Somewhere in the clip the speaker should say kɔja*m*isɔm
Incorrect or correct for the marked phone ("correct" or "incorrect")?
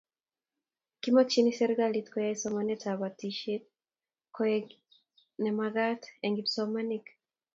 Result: incorrect